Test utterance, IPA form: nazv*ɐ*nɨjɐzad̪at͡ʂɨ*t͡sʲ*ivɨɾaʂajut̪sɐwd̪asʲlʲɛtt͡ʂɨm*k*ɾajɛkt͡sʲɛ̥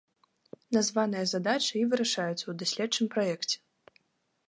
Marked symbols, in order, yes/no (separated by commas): no, no, no